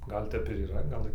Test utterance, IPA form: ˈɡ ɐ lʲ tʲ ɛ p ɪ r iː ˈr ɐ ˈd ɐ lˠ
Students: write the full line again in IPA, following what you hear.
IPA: ˈɡ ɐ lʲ tʲ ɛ p ɪ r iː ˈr ɐ ˈɡ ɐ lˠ